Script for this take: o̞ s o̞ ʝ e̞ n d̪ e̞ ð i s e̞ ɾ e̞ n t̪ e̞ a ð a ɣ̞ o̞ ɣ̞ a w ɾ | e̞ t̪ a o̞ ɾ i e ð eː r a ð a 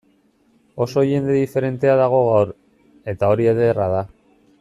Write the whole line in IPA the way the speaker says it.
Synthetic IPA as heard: o̞ s o̞ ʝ e̞ n d̪ e̞ ð i f e̞ ɾ e̞ n t̪ e̞ a ð a ɣ̞ o̞ ɣ̞ a w ɾ | e̞ t̪ a o̞ ɾ i e ð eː r a ð a